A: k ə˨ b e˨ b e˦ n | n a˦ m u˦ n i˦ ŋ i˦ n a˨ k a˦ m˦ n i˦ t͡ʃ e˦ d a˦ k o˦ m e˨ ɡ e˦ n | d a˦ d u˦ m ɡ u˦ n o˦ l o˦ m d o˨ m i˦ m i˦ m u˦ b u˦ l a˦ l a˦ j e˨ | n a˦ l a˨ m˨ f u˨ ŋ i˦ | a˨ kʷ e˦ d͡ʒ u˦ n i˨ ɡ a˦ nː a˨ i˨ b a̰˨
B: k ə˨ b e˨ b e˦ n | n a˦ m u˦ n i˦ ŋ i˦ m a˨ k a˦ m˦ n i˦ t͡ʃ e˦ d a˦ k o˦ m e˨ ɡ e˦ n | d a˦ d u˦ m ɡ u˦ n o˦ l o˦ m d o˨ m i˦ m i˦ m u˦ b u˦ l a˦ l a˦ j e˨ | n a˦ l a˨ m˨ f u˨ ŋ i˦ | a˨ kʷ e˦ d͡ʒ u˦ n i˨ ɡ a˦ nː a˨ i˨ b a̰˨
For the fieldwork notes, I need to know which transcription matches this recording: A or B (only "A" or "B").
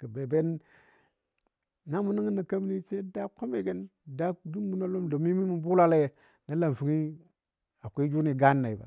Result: A